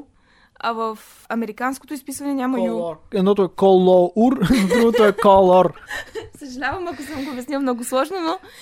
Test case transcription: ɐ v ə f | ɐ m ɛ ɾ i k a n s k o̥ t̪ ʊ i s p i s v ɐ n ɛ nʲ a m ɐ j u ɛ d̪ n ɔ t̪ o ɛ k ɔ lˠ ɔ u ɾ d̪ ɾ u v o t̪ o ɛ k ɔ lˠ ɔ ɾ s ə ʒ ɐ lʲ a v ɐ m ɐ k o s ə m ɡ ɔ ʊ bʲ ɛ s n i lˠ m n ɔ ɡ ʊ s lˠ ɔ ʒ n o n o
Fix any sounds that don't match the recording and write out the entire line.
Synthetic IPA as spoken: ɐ v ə f | ɐ m ɛ ɾ i k a n s k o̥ t̪ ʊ i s p i s v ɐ n ɛ nʲ a m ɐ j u ɛ d̪ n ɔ t̪ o ɛ k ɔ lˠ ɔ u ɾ d̪ ɾ u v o t̪ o ɛ k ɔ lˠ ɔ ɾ s ə ʒ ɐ lʲ a v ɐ m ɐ k o s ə m ɡ o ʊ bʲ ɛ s n i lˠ m n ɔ ɡ ʊ s lˠ ɔ ʒ n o n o